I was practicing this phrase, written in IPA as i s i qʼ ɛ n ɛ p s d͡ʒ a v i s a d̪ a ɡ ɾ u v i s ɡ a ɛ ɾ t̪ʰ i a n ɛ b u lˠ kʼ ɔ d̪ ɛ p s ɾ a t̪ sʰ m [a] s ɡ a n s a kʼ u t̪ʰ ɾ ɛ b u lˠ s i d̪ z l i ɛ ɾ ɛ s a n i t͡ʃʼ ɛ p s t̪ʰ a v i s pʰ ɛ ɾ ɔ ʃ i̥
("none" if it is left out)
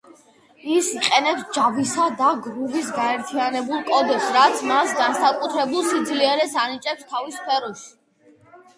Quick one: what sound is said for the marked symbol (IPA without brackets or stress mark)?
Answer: a